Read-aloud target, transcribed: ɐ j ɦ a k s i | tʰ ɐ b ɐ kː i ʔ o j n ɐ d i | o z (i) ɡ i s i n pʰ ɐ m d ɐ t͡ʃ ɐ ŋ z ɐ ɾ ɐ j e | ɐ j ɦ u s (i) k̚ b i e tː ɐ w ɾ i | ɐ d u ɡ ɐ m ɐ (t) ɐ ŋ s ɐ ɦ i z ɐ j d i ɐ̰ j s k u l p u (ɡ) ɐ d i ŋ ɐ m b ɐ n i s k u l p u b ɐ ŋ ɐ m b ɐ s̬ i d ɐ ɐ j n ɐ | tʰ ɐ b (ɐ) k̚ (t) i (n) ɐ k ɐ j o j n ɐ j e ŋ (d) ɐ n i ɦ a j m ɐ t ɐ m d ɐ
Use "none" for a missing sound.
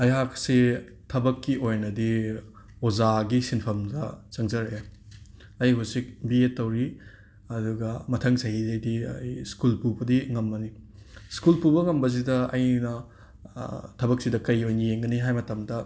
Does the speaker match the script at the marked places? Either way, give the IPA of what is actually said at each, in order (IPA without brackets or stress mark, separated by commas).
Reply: a, i, tʰ, b, ɐ, s, d, ɡ